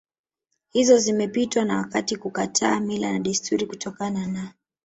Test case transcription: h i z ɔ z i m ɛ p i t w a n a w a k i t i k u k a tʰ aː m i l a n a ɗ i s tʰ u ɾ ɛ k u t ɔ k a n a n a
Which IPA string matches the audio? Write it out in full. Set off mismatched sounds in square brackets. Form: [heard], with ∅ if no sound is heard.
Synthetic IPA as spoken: h i z ɔ z i m ɛ p i t w a n a w a k [a] t i k u k a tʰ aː m i l a n a ɗ i s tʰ u ɾ [i] k u t ɔ k a n a n a